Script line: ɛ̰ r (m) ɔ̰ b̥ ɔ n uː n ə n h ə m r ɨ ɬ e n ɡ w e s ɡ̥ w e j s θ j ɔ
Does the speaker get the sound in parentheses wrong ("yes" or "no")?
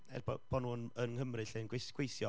yes